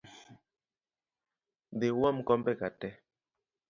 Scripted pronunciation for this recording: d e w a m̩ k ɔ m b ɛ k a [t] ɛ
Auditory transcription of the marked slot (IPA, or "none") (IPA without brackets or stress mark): t